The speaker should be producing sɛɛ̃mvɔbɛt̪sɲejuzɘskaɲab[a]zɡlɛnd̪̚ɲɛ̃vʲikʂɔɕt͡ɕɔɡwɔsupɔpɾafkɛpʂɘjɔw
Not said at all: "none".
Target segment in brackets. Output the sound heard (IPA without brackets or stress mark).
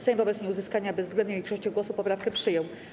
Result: ɛ